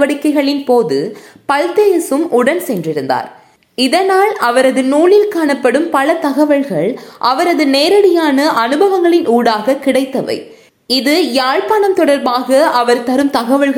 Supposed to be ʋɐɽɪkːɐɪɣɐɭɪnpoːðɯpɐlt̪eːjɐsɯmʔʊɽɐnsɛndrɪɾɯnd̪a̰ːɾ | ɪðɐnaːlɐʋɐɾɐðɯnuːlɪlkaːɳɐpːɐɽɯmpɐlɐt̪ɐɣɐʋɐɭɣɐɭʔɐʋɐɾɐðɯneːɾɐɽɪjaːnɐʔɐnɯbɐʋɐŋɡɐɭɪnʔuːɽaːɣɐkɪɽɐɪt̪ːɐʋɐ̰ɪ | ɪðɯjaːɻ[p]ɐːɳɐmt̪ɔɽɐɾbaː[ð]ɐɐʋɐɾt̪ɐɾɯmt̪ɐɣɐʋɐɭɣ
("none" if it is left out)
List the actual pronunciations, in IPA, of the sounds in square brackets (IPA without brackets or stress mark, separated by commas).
p, ɣ